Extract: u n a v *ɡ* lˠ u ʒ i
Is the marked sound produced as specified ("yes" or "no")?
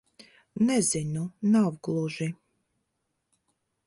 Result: yes